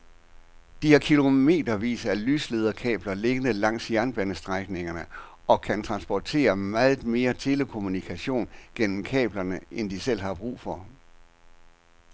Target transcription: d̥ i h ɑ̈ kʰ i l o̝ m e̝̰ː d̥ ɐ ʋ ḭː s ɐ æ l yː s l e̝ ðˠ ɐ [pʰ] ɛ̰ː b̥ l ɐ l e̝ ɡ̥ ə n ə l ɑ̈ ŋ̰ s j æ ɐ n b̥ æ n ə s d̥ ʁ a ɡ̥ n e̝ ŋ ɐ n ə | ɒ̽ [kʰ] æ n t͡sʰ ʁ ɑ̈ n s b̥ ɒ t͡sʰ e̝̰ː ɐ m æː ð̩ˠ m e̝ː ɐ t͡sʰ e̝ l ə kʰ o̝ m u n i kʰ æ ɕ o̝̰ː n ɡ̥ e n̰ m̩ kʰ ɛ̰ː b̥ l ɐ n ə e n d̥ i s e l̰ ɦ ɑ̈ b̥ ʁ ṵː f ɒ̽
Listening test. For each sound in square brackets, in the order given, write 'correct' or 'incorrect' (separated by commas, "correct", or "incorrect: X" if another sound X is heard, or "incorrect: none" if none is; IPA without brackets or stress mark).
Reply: incorrect: kʰ, correct